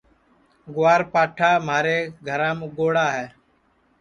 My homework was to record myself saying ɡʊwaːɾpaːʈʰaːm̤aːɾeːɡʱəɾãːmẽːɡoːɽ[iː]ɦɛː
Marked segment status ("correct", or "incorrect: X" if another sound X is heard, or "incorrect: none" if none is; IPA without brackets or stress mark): incorrect: aː